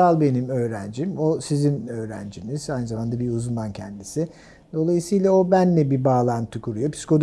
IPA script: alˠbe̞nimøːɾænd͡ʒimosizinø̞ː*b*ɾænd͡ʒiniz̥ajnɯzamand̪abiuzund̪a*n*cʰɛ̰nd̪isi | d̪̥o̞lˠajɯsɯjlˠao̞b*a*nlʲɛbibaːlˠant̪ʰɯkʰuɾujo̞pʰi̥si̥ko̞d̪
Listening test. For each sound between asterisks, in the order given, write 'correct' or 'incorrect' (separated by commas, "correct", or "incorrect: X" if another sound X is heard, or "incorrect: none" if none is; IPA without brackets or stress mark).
incorrect: none, correct, incorrect: æ